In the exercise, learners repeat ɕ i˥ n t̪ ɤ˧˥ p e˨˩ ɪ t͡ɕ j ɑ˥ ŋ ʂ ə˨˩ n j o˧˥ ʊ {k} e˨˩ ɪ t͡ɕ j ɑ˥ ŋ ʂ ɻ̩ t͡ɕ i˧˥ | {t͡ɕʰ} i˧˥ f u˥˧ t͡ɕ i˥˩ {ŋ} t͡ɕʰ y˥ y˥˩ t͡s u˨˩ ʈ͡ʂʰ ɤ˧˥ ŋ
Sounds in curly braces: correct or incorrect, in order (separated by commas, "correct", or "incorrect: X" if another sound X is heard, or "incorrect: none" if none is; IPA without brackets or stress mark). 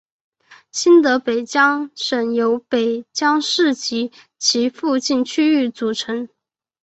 incorrect: p, correct, incorrect: n